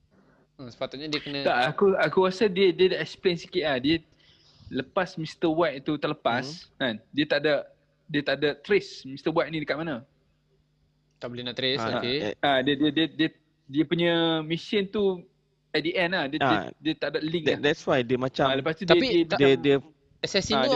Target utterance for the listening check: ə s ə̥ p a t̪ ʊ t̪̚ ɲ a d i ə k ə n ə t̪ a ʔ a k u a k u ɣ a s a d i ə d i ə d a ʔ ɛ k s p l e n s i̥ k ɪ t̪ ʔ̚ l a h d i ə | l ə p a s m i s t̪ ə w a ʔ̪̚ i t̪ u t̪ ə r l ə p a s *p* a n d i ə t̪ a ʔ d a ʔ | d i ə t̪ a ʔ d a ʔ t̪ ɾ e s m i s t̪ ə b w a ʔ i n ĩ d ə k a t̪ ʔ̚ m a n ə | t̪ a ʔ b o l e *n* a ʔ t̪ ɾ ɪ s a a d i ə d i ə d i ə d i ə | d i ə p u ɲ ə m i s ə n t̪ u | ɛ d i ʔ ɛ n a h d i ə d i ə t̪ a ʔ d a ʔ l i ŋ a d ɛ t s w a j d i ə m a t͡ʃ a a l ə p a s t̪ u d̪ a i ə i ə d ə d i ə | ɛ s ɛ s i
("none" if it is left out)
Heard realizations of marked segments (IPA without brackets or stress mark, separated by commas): k, n